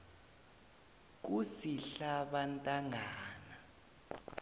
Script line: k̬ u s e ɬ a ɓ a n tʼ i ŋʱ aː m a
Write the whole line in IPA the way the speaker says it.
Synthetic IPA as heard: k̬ u s i ɬ a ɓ a n tʼ a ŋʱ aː n a